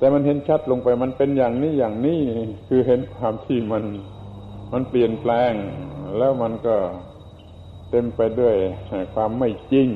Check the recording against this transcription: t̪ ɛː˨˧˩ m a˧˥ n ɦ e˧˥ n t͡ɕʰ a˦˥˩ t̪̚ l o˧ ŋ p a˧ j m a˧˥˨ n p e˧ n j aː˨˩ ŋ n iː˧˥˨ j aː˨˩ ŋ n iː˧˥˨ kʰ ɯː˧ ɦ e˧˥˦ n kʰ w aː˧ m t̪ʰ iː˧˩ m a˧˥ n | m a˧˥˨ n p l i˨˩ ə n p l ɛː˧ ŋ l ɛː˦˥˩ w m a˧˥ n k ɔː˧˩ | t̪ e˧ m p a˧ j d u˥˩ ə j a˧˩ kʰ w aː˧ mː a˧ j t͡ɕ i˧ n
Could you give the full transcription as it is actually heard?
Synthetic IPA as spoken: t̪ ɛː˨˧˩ m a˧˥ n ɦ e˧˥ n t͡ɕʰ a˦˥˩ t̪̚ l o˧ ŋ p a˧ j m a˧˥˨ n p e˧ n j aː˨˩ ŋ n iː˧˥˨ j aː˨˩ ŋ n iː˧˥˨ kʰ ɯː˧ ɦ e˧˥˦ n kʰ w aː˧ m t̪ʰ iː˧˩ m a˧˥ n | m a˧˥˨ n p l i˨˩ ə n p l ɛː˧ ŋ l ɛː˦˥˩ w m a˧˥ n k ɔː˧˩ | t̪ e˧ m p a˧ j d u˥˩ ə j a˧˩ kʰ w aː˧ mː a˥˩ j t͡ɕ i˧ ŋ